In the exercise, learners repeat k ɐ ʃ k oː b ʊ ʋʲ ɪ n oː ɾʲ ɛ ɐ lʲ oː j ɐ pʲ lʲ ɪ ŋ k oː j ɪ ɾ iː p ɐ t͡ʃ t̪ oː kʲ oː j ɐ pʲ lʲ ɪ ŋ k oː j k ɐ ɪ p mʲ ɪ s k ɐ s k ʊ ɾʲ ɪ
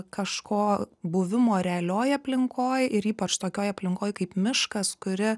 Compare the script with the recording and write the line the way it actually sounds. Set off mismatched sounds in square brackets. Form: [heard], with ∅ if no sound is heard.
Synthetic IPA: k ɐ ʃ k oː b ʊ ʋʲ ɪ [m] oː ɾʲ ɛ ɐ lʲ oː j ɐ pʲ lʲ ɪ ŋ k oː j ɪ ɾ iː p ɐ t͡ʃ t̪ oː kʲ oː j ɐ pʲ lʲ ɪ ŋ k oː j k ɐ ɪ p mʲ ɪ [ʃ] k ɐ s k ʊ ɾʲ ɪ